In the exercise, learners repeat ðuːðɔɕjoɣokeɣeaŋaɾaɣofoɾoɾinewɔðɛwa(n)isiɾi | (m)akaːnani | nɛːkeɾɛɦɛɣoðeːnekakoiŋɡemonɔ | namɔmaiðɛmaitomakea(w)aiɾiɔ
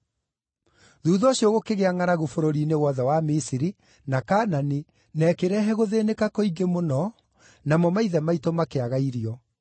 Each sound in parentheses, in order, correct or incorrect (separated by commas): incorrect, incorrect, incorrect